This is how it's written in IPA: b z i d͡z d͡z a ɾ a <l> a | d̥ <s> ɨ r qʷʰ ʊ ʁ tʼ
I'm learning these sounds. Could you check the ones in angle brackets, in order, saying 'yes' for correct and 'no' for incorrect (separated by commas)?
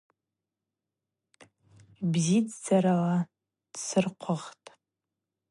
yes, yes